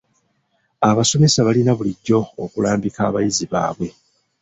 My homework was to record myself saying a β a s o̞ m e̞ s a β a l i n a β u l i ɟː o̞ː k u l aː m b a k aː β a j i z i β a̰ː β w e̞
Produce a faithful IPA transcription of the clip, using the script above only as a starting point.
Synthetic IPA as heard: a β a s o̞ m e̞ s a β a l i n a β u l i ɟː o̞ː k u l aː m b i k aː β a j i z i β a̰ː β w e̞